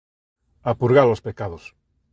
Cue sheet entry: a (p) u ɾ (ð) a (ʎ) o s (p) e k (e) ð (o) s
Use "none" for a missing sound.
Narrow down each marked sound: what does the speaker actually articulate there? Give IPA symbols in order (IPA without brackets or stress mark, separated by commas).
p, ɣ, l, p, a, o